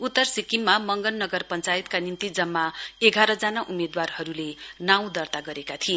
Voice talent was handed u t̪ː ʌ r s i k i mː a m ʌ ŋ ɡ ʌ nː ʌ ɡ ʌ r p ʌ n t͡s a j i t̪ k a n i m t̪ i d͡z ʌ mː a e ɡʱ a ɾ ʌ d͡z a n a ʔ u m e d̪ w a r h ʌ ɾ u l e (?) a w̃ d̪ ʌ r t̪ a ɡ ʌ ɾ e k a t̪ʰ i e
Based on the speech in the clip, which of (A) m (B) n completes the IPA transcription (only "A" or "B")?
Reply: B